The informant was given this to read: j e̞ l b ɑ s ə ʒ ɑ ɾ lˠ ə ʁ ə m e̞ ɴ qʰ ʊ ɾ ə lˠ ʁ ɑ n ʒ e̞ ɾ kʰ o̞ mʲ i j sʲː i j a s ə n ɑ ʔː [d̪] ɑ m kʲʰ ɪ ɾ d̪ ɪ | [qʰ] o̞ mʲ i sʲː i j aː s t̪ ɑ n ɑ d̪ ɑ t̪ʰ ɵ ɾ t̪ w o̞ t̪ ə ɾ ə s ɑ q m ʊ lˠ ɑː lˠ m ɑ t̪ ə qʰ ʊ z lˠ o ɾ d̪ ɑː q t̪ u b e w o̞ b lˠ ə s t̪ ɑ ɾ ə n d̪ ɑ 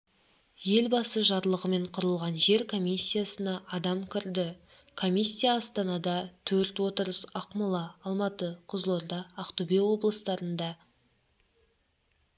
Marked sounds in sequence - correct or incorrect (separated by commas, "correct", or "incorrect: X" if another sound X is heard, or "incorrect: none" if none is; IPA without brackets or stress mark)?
correct, incorrect: kʰ